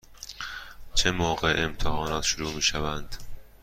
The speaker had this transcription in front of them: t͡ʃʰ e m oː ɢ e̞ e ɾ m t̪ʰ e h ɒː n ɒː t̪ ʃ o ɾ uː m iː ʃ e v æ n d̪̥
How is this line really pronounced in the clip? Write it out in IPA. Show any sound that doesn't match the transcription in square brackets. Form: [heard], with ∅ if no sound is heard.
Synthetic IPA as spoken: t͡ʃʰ e m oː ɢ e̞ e [∅] m t̪ʰ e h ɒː n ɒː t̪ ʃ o ɾ uː m iː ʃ [æ] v æ n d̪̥